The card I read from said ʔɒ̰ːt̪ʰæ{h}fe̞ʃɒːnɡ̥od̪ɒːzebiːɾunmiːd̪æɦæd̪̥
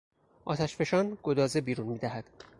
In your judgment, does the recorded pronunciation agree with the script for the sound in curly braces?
no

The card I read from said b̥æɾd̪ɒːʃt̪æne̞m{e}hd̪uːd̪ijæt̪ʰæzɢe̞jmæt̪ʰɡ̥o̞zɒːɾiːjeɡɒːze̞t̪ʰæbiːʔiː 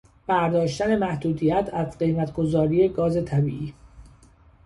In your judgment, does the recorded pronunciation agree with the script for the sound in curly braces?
no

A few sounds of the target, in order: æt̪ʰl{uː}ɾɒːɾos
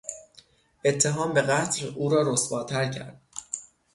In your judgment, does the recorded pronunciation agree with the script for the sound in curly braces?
yes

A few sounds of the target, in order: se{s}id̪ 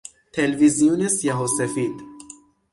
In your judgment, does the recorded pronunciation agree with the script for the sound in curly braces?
no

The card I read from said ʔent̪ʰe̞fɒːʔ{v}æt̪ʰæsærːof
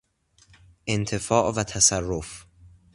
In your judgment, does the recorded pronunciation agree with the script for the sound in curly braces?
yes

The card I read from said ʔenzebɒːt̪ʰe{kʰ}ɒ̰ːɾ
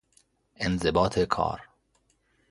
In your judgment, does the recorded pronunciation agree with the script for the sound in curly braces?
yes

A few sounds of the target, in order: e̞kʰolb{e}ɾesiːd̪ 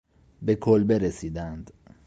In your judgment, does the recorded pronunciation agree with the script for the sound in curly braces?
yes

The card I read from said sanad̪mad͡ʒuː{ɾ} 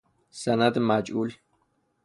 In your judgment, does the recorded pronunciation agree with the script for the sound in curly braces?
no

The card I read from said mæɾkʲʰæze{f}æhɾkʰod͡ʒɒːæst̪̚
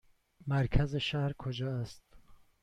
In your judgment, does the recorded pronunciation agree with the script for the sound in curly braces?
no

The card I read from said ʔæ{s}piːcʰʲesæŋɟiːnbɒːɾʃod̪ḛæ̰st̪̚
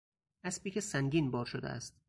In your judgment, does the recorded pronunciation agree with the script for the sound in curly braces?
yes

